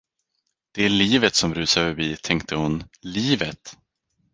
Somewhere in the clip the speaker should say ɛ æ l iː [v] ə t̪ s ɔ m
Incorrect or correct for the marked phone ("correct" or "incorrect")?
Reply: correct